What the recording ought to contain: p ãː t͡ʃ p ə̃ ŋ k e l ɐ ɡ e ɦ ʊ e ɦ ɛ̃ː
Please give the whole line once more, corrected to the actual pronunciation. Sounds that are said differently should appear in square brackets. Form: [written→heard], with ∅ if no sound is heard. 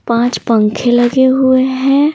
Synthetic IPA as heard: p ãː t͡ʃ p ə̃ ŋ [k→kʰ] e l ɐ ɡ e ɦ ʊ e ɦ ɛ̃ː